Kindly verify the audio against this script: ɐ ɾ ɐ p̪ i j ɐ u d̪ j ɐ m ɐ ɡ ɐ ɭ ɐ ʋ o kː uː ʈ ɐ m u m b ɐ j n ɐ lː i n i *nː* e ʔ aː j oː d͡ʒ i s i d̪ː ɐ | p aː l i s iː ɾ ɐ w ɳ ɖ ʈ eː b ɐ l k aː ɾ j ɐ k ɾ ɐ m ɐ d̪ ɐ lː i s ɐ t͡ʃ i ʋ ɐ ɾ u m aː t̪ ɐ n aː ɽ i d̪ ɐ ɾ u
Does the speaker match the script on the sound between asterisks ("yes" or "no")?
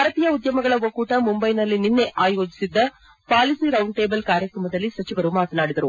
yes